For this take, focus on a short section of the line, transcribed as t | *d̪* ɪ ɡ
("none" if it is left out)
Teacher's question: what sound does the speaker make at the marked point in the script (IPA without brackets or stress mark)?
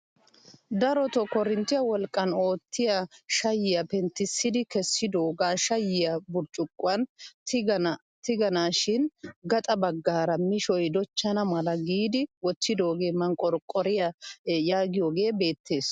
t̪